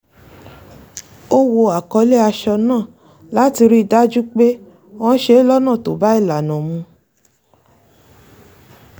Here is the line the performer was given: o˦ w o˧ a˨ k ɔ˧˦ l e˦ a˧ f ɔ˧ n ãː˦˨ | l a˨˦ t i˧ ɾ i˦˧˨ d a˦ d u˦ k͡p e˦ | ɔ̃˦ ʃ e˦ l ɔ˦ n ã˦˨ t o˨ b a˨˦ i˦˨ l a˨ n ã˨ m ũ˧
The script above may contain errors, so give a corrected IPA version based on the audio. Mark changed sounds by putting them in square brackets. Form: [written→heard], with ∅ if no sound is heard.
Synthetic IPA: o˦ w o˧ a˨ k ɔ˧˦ l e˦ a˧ [f→ʃ] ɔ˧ n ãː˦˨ | l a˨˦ t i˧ ɾ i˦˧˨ d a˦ [d→d͡ʒ] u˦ k͡p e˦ | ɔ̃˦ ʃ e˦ l ɔ˦ n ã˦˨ t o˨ b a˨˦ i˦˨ l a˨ n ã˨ m ũ˧

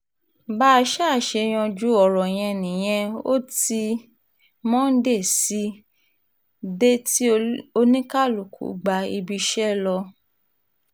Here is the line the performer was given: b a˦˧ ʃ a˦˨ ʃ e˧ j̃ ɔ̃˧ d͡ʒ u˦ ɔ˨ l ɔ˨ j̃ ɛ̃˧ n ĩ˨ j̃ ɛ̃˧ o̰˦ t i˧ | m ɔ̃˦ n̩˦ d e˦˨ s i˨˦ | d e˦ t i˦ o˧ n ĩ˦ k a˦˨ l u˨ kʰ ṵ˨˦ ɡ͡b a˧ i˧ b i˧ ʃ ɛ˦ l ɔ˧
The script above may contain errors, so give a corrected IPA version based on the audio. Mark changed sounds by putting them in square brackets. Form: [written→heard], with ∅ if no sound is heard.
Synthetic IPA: b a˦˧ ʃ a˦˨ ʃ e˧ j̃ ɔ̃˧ d͡ʒ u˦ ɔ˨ [l→ɾ] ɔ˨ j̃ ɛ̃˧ n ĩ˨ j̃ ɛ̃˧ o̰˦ t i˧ | m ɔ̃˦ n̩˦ d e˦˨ s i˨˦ | d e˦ t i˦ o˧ n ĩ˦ k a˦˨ l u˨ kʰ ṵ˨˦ ɡ͡b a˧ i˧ b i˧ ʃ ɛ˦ l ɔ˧

